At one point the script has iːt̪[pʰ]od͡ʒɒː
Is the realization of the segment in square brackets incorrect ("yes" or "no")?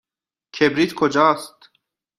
yes